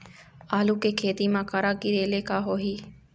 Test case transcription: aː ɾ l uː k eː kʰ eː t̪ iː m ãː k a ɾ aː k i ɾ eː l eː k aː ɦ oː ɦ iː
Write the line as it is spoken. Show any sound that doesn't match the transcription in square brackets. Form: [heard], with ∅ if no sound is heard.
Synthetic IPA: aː [∅] l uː k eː kʰ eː t̪ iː m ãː k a ɾ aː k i ɾ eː l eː k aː ɦ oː ɦ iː